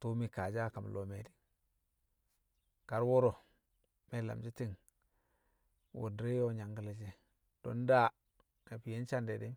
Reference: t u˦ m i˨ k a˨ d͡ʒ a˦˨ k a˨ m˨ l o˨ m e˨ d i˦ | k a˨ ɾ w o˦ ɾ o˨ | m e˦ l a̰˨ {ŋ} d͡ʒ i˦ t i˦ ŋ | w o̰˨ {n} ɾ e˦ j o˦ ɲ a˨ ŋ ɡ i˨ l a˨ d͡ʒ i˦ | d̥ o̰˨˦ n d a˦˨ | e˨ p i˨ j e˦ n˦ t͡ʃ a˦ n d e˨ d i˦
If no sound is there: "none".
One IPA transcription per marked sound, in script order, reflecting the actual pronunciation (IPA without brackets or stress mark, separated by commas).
m, d